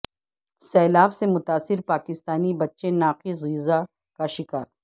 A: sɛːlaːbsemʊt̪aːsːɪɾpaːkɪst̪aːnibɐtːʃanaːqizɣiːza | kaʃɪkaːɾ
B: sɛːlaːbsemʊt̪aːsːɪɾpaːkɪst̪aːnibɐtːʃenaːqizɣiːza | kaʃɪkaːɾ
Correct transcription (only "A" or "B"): B